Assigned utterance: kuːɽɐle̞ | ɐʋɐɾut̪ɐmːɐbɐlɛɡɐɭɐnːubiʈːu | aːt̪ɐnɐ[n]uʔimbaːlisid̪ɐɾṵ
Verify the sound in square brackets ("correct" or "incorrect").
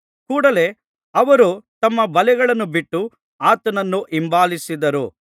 incorrect